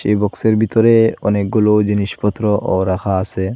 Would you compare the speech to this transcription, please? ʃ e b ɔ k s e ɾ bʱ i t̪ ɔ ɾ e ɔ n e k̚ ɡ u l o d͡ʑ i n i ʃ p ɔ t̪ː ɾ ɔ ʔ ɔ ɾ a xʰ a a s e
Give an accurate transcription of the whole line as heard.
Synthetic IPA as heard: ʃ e b ɔ k s e ɾ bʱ i t̪ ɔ ɾ e ɔ n e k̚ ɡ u l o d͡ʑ i n i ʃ p ɔ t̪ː ɾ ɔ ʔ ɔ ɾ a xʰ a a s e